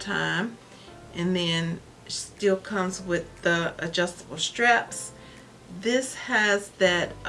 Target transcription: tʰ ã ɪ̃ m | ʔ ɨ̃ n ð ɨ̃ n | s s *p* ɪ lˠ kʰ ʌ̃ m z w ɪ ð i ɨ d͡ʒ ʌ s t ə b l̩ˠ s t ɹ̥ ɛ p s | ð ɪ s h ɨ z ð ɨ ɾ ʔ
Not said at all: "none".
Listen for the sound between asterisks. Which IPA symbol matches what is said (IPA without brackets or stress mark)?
t